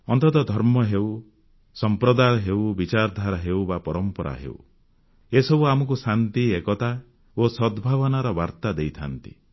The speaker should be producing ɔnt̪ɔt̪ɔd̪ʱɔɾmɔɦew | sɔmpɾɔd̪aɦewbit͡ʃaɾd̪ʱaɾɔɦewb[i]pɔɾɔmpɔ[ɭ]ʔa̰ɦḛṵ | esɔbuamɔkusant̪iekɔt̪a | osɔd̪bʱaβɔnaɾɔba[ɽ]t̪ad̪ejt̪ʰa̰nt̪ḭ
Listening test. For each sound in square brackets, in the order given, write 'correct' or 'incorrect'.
incorrect: a, incorrect: ɾ, incorrect: ɾ

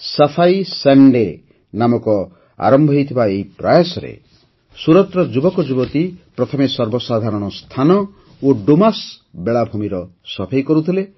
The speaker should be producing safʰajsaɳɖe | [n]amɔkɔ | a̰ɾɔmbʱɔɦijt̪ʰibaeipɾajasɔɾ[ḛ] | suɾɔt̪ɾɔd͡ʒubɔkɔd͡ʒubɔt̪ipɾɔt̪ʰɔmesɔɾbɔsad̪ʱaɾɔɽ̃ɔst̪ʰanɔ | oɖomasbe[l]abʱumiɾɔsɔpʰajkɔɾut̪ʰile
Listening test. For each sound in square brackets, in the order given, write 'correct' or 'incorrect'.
correct, correct, incorrect: ɭ

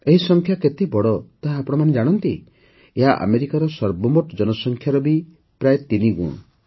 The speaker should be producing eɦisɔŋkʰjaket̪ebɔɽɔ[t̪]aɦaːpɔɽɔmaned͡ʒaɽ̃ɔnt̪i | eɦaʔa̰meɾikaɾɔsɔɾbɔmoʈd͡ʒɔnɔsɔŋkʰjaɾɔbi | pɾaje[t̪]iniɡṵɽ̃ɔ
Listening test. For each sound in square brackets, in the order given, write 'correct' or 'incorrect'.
correct, correct

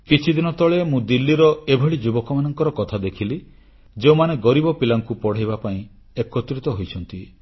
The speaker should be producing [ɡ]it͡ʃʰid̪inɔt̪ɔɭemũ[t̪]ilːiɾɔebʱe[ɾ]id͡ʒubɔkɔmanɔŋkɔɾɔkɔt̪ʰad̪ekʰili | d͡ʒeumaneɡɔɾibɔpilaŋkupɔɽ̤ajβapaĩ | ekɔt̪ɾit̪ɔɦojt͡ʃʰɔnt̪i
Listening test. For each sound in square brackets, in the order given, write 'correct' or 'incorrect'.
incorrect: k, incorrect: d̪, incorrect: ɭ

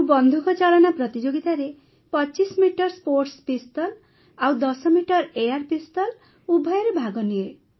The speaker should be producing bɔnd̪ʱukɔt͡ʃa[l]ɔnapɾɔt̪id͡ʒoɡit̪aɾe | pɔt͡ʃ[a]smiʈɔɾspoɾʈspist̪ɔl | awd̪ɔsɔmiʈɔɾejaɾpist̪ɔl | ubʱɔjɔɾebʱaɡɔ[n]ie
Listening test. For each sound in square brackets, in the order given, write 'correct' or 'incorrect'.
correct, incorrect: i, correct

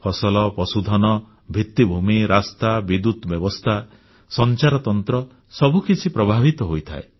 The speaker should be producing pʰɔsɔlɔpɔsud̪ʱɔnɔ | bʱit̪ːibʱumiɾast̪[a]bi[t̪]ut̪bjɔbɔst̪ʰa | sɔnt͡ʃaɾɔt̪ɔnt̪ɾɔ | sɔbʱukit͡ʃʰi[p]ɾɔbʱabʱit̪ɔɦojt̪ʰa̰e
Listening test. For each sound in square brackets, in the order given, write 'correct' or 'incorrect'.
correct, incorrect: d̪, correct

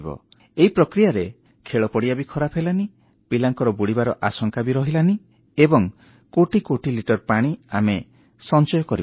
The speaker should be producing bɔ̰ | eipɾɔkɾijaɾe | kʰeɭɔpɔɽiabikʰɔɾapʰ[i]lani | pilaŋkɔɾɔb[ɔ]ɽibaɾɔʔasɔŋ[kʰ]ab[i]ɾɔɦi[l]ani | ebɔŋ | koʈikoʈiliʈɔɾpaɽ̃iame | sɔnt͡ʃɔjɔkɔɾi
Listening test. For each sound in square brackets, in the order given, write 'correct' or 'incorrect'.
incorrect: e, incorrect: u, incorrect: k, correct, correct

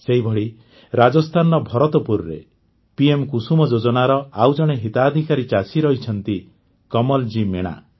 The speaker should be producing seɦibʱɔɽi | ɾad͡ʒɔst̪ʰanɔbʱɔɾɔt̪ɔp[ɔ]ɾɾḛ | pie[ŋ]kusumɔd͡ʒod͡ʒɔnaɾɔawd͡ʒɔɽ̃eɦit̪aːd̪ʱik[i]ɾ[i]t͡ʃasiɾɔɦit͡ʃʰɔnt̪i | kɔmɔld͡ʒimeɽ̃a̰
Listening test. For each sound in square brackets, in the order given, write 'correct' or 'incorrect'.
incorrect: u, incorrect: m, incorrect: a, correct

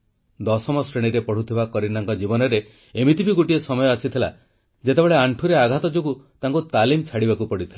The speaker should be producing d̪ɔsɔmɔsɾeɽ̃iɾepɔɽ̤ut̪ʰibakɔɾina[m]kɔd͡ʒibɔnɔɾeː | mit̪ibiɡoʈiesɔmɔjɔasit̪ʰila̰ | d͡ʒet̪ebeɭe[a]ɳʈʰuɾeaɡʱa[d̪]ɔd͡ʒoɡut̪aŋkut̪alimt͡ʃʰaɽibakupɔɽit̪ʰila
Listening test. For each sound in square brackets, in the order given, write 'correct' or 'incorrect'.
incorrect: ŋ, correct, incorrect: t̪

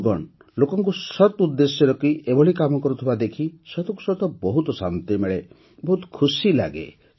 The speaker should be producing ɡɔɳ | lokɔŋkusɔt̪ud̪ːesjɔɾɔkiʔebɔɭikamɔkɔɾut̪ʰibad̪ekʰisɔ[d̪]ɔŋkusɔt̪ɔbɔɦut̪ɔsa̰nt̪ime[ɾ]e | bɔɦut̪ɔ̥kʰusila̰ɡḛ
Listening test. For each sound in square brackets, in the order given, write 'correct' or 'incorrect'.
incorrect: t̪, incorrect: ɭ

